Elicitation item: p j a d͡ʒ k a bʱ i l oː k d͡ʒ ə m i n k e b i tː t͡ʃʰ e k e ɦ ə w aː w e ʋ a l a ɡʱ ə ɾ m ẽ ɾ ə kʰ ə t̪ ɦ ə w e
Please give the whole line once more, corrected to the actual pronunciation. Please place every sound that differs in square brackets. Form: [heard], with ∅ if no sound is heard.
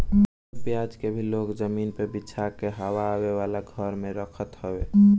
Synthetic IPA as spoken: p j a d͡ʒ k [e] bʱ i l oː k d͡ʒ ə m i n [p] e b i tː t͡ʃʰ [a] k e ɦ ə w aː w e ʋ a l a ɡʱ ə ɾ m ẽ ɾ ə kʰ ə t̪ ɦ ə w e